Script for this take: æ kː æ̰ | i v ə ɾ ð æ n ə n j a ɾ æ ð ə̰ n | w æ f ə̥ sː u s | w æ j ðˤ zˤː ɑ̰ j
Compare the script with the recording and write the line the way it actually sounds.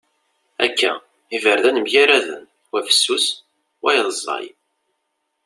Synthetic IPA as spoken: æ kː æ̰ | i v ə ɾ ð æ n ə m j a ɾ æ ð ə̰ n | w æ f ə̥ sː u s | w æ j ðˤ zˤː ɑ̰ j